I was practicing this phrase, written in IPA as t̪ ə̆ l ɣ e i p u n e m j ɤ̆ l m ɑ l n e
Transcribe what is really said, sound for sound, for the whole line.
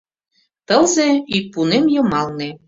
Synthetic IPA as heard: t̪ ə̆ l z e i p u n e m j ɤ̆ m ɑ l n e